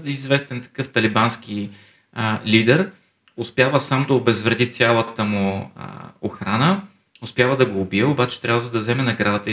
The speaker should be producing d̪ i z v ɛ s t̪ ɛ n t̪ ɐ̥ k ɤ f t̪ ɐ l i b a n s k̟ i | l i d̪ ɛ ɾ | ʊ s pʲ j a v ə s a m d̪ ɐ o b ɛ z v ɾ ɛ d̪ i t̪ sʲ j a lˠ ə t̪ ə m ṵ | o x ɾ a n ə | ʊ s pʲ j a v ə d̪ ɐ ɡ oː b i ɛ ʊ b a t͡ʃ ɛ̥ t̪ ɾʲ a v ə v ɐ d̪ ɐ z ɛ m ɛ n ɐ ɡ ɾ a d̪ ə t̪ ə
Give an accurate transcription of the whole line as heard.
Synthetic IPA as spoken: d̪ i z v ɛ s t̪ ɛ n t̪ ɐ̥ k ɤ f t̪ ɐ l i b a n s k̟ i | l i d̪ ɛ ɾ | ʊ s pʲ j a v ə s a m d̪ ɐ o b ɛ z v ɾ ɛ d̪ i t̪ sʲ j a lˠ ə t̪ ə m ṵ | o x ɾ a n ə | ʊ s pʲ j a v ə d̪ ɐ ɡ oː b i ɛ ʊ b a t͡ʃ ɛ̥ t̪ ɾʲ a v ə z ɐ d̪ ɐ z ɛ m ɛ n ɐ ɡ ɾ a d̪ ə t̪ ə